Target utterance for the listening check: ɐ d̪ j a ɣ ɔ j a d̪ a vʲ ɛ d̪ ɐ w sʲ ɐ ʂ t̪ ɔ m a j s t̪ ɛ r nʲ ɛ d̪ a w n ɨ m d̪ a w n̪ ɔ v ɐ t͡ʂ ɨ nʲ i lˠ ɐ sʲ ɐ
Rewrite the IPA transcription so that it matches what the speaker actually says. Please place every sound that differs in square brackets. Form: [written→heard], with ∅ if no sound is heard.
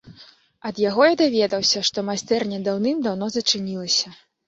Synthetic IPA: ɐ d̪ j a ɣ ɔ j a d̪ a vʲ ɛ d̪ ɐ w sʲ ɐ ʂ t̪ ɔ m a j s t̪ ɛ r nʲ ɛ d̪ a w n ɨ m d̪ a w n̪ ɔ [v→z] ɐ t͡ʂ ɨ nʲ i lˠ ɐ sʲ ɐ